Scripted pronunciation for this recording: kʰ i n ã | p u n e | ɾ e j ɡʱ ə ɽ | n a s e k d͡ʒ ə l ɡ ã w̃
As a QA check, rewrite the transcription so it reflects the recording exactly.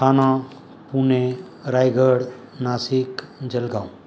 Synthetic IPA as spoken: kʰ a n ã | p u n e | ɾ a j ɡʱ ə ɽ | n a s i k d͡ʒ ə l ɡ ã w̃